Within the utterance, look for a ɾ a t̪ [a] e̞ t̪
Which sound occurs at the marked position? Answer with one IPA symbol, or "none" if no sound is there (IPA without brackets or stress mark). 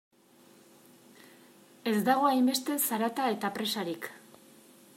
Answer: a